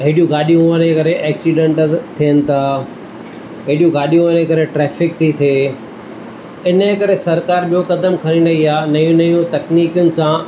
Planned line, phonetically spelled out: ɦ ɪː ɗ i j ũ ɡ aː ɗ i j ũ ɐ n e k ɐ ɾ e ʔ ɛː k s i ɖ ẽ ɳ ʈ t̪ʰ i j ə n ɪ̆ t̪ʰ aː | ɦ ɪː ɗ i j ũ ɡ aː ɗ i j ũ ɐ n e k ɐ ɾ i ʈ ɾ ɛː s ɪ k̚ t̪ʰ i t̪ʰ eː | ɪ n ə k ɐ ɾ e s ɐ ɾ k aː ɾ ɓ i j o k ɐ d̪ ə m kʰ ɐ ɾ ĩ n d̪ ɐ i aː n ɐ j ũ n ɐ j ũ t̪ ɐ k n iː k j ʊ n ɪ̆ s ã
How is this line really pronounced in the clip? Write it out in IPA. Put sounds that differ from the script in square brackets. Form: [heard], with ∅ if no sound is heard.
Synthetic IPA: ɦ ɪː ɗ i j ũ ɡ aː ɗ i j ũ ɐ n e k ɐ ɾ e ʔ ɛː k s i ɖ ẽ ɳ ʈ t̪ʰ i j ə n ɪ̆ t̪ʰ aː | ɦ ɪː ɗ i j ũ ɡ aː ɗ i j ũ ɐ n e k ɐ ɾ [e] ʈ ɾ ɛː [f] ɪ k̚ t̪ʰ i t̪ʰ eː | ɪ n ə k ɐ ɾ e s ɐ ɾ k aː ɾ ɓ i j o k ɐ d̪ ə m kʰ ɐ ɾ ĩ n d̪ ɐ i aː n ɐ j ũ n ɐ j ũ t̪ ɐ k n iː k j ʊ n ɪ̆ s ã